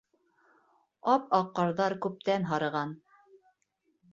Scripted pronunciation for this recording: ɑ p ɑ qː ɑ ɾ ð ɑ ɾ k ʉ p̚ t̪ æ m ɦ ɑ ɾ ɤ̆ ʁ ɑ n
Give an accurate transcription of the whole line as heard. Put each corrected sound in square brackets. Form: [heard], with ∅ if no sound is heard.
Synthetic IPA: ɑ p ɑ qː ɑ ɾ ð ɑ ɾ k ʉ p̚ t̪ æ [n] ɦ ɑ ɾ ɤ̆ ʁ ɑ n